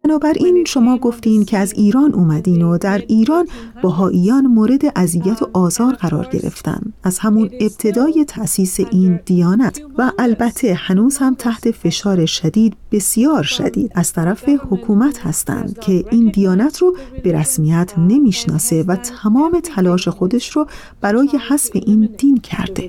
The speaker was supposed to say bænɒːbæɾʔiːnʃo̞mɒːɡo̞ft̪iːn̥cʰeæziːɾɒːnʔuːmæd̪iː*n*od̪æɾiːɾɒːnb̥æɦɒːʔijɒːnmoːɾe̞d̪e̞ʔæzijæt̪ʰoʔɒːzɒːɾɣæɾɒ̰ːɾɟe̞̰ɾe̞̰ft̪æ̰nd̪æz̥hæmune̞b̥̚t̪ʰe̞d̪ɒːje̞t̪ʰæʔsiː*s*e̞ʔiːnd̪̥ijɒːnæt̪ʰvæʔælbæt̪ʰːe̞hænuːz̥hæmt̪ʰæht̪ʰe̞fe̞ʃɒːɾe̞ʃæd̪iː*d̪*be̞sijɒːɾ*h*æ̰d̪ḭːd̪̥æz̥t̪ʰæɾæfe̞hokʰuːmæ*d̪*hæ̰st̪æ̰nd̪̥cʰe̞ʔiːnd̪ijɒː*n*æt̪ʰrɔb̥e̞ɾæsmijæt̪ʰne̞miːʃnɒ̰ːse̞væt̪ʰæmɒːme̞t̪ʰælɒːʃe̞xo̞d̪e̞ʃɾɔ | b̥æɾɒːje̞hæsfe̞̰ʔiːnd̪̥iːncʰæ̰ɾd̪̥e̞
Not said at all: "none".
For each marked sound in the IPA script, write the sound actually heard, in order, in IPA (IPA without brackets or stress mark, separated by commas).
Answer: n, s, d̪, ʃ, t̪, n